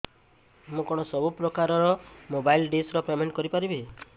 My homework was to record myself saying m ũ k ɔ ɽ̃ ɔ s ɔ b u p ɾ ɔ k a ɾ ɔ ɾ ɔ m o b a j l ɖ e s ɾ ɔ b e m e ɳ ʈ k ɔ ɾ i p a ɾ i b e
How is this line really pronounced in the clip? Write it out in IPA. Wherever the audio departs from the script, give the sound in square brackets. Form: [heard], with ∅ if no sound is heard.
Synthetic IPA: m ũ k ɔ ɽ̃ ɔ s ɔ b u p ɾ ɔ k a ɾ ɔ ɾ ɔ m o b a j l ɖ e s ɾ ɔ [p] e m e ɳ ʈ k ɔ ɾ i p a ɾ i b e